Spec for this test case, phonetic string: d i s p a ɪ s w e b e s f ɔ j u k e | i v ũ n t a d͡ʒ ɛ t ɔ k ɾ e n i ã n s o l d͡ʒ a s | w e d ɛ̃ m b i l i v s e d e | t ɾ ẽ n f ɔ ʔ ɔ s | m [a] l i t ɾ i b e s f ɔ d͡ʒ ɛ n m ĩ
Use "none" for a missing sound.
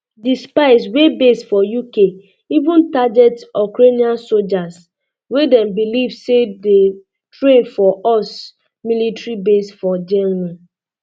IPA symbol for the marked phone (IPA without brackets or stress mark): i